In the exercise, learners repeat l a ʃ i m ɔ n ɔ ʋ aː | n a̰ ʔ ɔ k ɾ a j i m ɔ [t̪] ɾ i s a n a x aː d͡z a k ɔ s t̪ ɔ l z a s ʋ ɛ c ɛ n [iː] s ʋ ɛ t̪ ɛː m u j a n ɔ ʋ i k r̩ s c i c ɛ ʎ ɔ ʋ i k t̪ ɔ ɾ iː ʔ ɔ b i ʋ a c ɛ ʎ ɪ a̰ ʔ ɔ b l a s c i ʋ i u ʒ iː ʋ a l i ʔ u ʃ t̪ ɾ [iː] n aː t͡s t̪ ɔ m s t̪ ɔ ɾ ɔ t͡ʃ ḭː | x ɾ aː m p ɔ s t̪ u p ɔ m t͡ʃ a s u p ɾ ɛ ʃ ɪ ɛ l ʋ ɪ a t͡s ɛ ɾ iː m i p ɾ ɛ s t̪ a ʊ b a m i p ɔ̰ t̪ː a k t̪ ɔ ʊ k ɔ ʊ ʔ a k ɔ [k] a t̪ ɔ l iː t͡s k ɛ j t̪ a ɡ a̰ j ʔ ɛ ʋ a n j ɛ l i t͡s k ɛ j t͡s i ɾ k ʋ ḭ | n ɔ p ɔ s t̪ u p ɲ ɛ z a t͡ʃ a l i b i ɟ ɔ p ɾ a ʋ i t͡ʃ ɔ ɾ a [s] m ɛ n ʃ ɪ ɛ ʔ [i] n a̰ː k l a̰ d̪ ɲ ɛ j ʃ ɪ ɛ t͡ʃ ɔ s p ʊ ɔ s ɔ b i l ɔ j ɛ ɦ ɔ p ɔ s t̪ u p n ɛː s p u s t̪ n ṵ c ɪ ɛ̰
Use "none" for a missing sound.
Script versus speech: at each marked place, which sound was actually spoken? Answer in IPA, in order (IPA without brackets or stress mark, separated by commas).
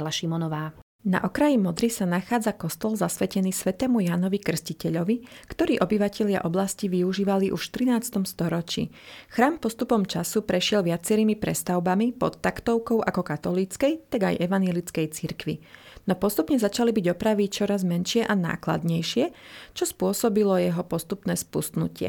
d̪, iː, i, k, z, a